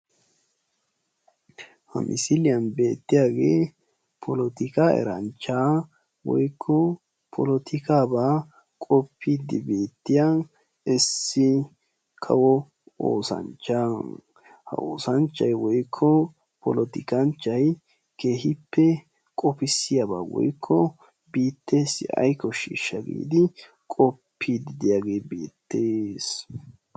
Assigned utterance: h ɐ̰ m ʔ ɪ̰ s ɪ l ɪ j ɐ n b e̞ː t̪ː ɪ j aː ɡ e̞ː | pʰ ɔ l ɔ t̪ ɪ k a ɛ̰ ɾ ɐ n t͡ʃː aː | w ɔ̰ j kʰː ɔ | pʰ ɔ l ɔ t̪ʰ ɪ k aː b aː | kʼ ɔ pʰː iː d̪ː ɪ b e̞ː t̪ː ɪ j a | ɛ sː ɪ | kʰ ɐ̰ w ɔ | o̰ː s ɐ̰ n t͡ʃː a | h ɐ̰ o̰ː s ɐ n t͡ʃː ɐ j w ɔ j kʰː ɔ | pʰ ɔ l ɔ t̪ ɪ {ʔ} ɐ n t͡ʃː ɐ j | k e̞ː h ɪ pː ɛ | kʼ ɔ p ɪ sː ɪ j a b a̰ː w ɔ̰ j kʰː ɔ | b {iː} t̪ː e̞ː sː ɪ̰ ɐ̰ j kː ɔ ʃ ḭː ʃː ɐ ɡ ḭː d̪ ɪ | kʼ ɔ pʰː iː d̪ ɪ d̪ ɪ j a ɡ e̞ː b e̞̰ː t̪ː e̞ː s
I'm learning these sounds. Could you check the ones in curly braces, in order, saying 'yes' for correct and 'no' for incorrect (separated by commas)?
no, yes